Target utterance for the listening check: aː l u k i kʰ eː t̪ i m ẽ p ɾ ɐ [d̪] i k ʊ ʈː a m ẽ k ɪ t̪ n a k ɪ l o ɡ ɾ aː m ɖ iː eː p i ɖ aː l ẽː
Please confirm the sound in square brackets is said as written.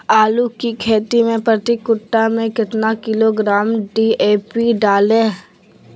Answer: no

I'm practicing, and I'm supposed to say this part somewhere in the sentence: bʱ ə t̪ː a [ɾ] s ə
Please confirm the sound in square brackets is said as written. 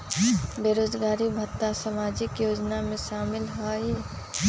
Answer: no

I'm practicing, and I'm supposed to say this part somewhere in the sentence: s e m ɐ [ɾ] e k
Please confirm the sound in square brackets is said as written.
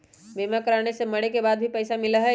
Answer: no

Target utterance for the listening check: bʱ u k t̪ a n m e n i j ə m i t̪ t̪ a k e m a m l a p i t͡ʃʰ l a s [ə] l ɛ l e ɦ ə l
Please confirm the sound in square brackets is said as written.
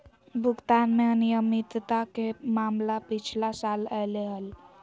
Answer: no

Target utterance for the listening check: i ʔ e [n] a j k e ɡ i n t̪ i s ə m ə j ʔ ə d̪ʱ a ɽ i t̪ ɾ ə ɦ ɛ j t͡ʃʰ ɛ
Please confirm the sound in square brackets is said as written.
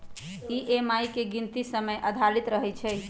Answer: no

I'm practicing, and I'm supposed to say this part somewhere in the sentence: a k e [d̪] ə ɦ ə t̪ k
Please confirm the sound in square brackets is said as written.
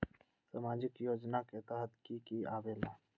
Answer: no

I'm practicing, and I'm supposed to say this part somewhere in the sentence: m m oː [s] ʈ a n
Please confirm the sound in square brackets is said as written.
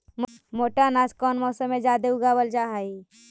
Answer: no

